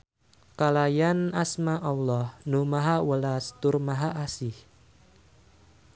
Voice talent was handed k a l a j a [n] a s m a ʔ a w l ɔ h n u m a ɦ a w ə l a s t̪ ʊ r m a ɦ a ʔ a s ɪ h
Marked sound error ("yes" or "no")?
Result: no